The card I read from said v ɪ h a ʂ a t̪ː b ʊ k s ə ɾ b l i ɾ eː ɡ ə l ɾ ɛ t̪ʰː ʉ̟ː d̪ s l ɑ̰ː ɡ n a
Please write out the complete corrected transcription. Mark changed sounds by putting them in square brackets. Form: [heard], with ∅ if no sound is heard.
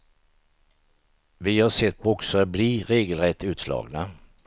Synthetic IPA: v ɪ h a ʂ [ɛ] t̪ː b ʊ k s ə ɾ b l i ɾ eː ɡ ə l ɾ ɛ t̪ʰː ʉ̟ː [t̪] s l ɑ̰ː ɡ n a